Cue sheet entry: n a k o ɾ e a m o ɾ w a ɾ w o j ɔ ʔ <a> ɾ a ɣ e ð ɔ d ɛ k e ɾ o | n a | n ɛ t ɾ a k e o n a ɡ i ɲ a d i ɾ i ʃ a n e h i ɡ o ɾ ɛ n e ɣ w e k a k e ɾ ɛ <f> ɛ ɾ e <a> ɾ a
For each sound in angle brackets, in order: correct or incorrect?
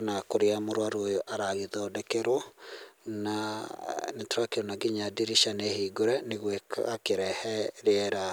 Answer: correct, incorrect: h, incorrect: ɛ

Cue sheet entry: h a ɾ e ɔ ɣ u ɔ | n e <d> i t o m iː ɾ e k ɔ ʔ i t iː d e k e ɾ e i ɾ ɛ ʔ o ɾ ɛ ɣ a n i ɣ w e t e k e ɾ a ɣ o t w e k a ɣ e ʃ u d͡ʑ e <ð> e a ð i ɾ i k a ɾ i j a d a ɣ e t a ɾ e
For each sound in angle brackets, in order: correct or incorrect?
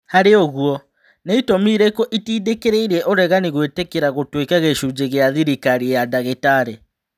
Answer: incorrect: none, incorrect: ɣ

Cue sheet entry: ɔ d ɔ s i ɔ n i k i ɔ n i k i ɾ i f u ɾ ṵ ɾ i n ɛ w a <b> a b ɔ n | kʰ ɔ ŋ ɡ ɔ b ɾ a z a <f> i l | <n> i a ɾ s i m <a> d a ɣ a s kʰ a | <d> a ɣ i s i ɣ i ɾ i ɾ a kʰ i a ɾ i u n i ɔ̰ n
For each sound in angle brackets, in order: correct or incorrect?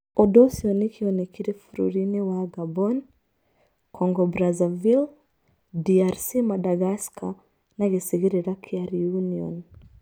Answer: incorrect: ɡ, incorrect: v, incorrect: d, correct, incorrect: n

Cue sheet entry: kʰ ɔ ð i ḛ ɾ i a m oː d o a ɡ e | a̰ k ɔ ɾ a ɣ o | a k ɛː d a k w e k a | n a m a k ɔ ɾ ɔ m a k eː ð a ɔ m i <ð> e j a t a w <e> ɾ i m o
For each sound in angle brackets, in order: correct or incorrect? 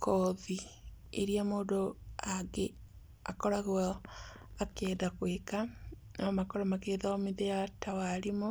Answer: correct, incorrect: a

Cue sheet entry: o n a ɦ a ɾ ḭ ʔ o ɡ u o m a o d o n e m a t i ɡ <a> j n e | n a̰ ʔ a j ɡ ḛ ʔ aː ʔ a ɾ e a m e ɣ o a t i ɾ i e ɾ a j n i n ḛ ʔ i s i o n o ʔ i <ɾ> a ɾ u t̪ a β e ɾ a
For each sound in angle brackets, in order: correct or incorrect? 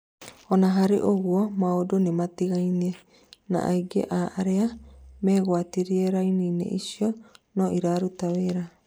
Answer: correct, correct

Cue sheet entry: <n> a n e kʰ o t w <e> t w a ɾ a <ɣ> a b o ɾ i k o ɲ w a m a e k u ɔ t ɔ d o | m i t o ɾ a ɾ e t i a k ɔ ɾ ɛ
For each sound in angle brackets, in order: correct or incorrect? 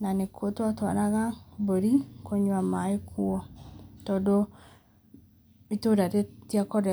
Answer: correct, incorrect: a, correct

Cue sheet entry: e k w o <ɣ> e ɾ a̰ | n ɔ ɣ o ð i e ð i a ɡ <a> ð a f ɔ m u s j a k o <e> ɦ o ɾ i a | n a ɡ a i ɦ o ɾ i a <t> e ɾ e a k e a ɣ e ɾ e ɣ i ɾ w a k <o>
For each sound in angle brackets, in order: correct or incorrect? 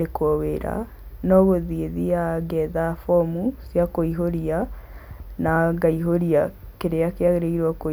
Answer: incorrect: w, incorrect: ɛ, incorrect: i, incorrect: k, correct

